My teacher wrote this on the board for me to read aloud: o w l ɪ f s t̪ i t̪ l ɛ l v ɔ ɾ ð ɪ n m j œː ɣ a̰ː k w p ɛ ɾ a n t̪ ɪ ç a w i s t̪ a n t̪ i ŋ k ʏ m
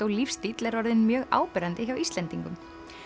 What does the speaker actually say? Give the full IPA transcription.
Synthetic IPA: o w l i f s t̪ i t̪ l ɛ ɾ v ɔ ɾ ð ɪ n m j œː ɣ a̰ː w p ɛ ɾ a n t̪ ɪ ç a w i s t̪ ɛ n t̪ i ŋ k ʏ m